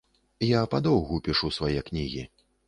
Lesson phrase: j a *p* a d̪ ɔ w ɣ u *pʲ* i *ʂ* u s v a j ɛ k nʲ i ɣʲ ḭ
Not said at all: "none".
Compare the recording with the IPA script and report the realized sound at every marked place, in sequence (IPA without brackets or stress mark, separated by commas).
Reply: p, pʲ, ʂ